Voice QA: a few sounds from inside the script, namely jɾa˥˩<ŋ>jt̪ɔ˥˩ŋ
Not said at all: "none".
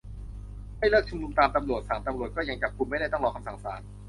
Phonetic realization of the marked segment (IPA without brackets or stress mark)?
none